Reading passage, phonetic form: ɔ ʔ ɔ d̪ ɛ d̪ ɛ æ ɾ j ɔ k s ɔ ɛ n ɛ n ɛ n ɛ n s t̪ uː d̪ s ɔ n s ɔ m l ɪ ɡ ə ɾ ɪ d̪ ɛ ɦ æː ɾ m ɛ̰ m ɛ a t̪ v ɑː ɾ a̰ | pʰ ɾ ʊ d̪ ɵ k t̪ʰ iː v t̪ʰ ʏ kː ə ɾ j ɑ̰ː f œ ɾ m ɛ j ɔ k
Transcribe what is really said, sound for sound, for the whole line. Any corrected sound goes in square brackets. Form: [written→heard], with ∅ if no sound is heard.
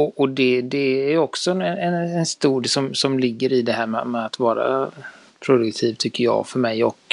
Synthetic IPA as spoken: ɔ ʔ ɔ d̪ ɛ d̪ ɛ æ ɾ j ɔ k s ɔ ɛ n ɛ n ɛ n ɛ n s t̪ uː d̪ s ɔ [n→m] s ɔ m l ɪ [ɡ→ɡː] ə ɾ ɪ d̪ ɛ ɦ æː ɾ m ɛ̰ m ɛ a t̪ v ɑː ɾ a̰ | pʰ ɾ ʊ d̪ ɵ k t̪ʰ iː v t̪ʰ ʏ kː ə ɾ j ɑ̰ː f œ ɾ m ɛ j ɔ k